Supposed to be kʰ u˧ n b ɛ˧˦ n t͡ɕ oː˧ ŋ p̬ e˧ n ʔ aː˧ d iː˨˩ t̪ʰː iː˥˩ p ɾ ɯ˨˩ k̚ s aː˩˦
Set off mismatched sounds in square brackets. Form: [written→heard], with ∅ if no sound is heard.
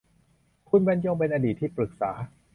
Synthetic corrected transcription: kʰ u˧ n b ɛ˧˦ n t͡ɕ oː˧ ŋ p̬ e˧ n ʔ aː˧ d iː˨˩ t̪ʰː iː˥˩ p ɾ ɯ˨˩ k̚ s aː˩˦